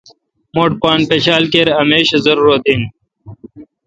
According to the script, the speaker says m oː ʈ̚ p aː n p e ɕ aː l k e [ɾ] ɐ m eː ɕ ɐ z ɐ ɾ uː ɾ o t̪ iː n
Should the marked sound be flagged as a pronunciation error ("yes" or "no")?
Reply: no